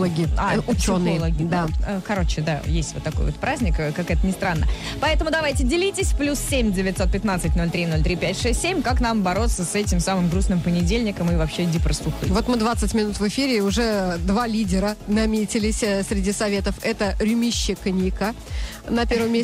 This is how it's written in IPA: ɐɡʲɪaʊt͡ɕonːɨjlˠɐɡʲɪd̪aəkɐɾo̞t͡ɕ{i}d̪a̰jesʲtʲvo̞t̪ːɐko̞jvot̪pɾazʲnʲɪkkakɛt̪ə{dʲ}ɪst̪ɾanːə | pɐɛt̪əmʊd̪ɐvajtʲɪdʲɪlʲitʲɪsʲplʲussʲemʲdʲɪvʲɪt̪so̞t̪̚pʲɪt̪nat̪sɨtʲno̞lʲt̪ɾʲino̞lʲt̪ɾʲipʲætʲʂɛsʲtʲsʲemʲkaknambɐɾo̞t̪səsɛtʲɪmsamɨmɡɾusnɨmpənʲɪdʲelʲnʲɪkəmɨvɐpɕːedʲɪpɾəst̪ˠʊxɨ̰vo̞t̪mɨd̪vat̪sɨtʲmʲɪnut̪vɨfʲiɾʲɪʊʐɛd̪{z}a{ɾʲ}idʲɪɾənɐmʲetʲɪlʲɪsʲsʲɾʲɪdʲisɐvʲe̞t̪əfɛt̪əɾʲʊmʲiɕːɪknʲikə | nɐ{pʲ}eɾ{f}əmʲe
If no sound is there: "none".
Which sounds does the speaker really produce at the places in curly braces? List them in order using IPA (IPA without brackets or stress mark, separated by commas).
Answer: ɪ, nʲ, v, lʲ, pʲ, v